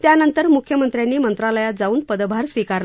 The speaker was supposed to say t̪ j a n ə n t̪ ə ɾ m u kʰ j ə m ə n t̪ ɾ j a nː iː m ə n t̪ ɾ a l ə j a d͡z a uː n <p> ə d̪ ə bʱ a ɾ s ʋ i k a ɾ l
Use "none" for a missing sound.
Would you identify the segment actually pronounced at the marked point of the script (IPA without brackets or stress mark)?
p